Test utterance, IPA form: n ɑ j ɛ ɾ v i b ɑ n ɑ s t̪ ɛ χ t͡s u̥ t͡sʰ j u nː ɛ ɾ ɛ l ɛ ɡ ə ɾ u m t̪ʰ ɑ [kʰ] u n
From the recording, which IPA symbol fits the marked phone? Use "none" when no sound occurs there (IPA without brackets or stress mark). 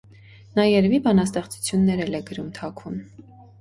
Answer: kʰ